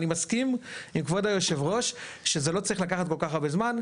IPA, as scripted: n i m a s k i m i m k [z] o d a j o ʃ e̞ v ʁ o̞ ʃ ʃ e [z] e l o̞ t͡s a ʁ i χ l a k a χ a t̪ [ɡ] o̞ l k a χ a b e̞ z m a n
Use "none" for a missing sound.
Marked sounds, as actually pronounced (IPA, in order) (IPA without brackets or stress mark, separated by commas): v, z, k